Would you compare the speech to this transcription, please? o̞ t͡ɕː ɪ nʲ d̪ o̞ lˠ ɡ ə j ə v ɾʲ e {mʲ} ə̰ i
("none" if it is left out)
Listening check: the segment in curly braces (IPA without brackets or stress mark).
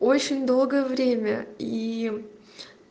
mʲ